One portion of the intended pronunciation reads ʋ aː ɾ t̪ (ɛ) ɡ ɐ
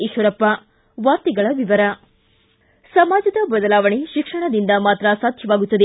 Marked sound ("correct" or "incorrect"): incorrect